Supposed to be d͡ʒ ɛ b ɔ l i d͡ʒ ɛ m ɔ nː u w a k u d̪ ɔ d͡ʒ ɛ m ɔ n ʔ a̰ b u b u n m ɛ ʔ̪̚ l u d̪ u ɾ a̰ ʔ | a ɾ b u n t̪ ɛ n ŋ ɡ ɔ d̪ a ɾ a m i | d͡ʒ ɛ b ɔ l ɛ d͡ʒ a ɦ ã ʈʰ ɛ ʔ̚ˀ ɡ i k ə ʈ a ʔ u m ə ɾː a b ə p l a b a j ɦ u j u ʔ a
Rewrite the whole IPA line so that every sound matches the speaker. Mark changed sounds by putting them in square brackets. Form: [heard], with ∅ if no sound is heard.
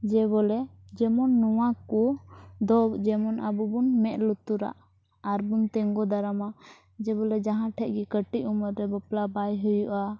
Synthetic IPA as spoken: d͡ʒ ɛ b ɔ l [ɛ] d͡ʒ ɛ m ɔ nː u w a k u d̪ ɔ d͡ʒ ɛ m ɔ n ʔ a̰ b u b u n m ɛ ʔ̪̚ l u [t̪] u ɾ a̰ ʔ | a ɾ b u n t̪ ɛ [∅] ŋ ɡ ɔ d̪ a ɾ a m [a] | d͡ʒ ɛ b ɔ l ɛ d͡ʒ a ɦ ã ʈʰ ɛ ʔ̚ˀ ɡ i k ə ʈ [i] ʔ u m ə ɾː [ɛ] b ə p l a b a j ɦ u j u ʔ a